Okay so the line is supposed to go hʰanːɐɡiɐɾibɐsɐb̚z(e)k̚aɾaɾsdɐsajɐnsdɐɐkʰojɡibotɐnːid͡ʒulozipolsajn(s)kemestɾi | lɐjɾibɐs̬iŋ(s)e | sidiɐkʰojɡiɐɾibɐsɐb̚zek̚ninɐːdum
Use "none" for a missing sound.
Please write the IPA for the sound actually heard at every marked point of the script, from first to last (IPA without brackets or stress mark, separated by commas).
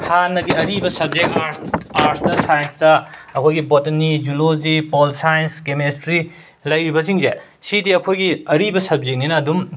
e, s, z